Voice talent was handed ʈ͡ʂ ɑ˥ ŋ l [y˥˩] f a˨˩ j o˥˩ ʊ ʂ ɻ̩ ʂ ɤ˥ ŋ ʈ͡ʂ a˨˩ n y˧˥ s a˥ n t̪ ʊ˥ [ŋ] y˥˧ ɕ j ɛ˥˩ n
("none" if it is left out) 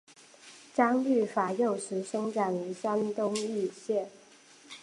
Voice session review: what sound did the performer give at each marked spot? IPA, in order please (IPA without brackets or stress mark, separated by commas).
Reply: y˥˩, ŋ